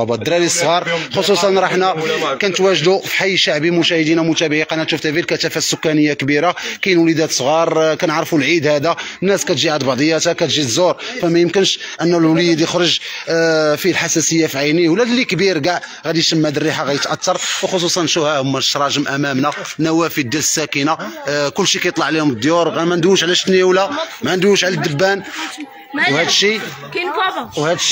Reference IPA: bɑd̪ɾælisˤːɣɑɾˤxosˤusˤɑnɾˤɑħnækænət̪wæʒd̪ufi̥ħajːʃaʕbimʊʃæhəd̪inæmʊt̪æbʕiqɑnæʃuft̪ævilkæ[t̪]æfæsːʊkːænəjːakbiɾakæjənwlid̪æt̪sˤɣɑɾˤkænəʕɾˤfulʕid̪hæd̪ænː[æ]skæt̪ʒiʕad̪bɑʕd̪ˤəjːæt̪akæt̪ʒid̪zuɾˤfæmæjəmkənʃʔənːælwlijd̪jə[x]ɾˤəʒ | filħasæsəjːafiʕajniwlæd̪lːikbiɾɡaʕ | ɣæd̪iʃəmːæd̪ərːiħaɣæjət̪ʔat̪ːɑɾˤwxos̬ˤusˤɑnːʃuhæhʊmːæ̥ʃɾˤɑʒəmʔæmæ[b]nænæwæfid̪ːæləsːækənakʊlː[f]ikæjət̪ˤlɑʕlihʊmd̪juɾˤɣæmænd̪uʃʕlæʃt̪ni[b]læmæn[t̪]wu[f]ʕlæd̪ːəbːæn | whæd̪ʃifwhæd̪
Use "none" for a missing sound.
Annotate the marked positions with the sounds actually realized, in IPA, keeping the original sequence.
t̪, æ, x, m, ʃ, w, d̪, ʃ

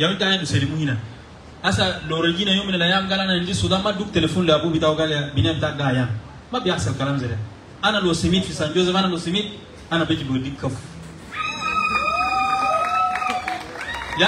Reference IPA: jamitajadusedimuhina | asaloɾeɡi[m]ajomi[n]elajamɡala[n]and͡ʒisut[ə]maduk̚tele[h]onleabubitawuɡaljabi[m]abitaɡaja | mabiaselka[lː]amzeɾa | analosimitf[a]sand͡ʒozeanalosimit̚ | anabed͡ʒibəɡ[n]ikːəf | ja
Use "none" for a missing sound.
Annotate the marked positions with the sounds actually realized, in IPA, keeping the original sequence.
n, n, n, a, f, n, l, i, d

